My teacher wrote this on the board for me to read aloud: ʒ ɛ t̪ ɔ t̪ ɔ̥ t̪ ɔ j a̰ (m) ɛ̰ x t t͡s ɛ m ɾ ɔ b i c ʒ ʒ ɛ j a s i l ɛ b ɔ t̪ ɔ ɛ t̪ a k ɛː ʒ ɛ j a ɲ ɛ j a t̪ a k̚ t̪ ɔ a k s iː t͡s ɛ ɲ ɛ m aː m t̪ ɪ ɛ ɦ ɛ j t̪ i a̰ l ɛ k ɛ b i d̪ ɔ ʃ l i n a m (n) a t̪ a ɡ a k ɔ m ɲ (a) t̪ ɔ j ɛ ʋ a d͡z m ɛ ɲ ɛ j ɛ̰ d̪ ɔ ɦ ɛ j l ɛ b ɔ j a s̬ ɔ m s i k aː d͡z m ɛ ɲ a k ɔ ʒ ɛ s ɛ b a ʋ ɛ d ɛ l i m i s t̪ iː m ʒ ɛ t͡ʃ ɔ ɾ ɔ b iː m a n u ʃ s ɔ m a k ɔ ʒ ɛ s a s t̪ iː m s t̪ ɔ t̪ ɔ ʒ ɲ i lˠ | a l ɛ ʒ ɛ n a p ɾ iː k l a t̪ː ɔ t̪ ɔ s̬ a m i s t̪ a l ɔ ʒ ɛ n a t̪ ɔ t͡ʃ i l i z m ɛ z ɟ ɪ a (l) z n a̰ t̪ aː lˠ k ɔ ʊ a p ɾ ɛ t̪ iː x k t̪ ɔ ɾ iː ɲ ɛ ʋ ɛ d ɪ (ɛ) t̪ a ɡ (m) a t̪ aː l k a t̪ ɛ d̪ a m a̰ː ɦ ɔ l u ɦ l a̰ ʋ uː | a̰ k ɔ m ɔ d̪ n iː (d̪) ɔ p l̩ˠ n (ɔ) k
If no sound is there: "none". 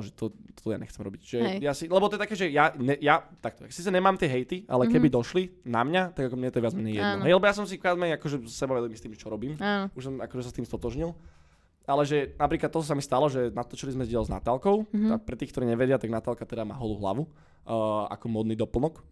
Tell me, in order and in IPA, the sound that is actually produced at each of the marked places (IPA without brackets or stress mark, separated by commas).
ɲ, ɲ, ɛ, l, a, n, d̪, ɔ